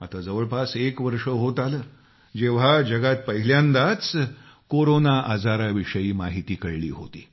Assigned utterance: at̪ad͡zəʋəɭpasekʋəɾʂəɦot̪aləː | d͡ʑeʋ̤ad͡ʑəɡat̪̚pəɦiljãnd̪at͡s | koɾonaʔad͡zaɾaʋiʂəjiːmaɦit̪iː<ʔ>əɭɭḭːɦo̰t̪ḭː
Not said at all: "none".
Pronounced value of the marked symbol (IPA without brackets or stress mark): k